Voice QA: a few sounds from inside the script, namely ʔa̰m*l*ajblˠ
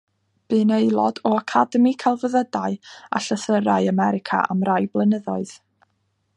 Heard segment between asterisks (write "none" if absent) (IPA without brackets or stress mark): r